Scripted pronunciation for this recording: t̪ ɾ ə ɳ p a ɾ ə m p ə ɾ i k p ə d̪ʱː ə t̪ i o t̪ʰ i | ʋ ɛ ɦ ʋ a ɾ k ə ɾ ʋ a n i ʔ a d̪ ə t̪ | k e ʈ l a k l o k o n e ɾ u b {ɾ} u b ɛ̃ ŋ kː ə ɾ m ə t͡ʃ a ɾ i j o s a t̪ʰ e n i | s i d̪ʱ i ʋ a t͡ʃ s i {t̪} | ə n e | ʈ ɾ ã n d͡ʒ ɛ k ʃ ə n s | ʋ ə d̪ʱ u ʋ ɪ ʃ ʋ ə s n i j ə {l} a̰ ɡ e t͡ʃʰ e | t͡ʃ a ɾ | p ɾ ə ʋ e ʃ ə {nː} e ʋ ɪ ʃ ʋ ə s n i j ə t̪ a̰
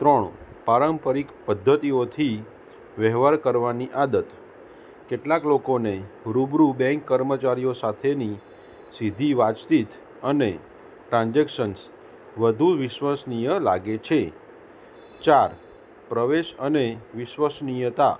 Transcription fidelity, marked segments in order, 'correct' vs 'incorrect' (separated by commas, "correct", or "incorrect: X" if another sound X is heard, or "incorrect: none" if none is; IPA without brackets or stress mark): correct, correct, correct, incorrect: n